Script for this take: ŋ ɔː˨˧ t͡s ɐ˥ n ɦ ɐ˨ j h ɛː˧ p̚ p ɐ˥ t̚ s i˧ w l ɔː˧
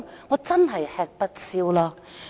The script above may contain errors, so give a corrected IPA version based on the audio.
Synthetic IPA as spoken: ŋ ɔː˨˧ t͡s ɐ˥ n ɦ ɐ˨ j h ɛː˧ k̚ p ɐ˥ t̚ s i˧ w l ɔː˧